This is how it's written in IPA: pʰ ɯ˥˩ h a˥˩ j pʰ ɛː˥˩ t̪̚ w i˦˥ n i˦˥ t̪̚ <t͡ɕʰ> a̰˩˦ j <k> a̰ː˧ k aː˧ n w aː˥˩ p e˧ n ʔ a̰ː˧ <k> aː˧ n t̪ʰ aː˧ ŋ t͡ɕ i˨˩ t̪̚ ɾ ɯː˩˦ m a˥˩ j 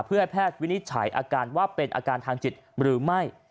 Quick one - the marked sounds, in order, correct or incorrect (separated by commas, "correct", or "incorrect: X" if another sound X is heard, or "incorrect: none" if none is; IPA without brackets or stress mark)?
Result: correct, incorrect: ʔ, correct